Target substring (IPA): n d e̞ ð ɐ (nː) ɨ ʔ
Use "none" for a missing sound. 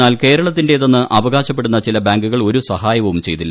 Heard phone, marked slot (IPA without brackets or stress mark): nː